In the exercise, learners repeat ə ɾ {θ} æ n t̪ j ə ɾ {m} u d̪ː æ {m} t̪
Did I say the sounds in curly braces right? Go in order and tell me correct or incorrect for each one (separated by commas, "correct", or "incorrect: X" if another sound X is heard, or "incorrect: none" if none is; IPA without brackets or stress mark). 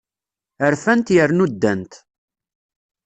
incorrect: f, incorrect: n, incorrect: n